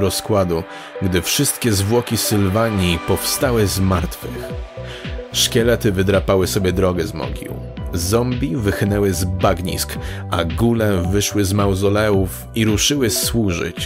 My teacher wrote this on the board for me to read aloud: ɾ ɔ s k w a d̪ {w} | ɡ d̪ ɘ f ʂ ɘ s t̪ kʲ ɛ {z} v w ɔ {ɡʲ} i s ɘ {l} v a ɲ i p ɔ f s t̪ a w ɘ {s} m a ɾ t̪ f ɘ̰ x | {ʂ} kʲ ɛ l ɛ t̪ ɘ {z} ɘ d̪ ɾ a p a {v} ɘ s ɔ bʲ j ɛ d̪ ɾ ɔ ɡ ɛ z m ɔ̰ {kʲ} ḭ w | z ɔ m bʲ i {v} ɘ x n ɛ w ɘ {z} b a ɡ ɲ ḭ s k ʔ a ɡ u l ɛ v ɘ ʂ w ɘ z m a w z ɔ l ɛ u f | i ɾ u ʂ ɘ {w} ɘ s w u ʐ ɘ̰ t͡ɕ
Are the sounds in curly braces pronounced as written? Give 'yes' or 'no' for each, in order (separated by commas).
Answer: no, yes, no, yes, no, yes, no, no, no, yes, yes, yes